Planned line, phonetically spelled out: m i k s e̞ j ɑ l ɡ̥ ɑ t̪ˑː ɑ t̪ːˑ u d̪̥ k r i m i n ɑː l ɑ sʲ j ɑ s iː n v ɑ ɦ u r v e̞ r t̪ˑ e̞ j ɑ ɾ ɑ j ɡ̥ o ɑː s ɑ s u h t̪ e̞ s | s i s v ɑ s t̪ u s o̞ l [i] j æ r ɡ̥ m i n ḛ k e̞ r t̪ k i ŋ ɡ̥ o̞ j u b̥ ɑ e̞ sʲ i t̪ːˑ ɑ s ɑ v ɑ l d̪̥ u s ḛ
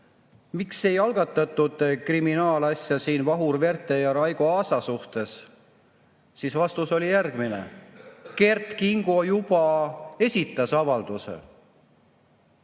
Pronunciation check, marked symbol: correct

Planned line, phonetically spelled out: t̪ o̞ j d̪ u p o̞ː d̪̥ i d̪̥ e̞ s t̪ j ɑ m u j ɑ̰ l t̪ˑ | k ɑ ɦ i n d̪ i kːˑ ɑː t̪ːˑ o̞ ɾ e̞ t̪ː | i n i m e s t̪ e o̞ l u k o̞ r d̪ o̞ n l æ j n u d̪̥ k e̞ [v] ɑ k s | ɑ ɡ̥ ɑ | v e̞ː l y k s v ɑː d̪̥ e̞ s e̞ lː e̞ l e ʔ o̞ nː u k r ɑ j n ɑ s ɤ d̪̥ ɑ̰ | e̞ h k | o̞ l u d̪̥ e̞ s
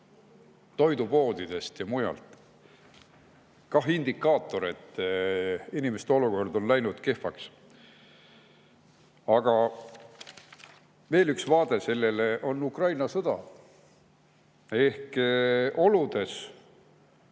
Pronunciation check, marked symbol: incorrect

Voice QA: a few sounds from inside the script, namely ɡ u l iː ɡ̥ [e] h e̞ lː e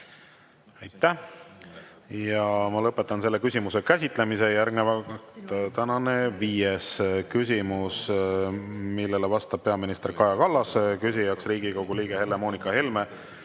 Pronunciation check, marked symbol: correct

